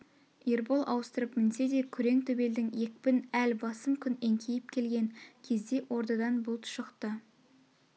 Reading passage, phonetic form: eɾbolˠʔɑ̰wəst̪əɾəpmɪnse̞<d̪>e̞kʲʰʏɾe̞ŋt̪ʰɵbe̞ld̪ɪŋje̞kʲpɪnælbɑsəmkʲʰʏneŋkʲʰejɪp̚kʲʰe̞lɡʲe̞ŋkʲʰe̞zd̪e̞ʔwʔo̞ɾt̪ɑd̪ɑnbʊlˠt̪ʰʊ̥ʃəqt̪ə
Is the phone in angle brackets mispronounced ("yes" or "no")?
no